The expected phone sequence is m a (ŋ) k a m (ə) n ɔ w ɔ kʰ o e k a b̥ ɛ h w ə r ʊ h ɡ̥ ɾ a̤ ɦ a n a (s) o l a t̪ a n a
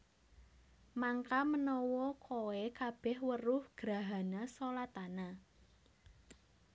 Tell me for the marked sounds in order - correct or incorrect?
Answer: correct, correct, correct

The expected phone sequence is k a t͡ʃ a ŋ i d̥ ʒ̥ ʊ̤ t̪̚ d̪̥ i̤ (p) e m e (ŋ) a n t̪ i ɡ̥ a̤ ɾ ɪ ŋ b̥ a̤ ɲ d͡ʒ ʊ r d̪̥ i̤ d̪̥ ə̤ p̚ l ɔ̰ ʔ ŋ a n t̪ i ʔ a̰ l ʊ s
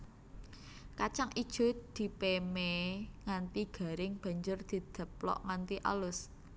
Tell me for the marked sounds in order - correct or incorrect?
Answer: correct, correct

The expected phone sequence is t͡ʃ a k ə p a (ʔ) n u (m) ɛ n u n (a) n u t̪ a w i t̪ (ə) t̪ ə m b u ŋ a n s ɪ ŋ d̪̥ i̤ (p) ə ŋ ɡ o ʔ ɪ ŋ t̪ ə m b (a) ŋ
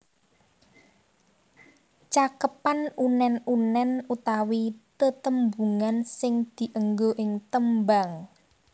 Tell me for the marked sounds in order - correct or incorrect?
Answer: incorrect, incorrect, incorrect, correct, incorrect, correct

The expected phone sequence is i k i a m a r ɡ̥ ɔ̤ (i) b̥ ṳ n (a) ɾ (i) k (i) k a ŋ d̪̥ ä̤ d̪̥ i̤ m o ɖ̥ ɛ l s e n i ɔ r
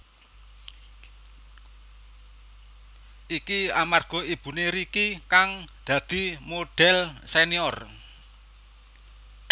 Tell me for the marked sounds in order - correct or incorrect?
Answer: correct, incorrect, correct, correct

